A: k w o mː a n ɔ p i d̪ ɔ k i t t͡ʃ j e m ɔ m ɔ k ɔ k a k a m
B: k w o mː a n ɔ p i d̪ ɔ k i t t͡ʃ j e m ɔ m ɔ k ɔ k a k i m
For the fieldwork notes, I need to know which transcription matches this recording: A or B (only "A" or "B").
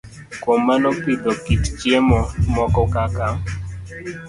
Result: A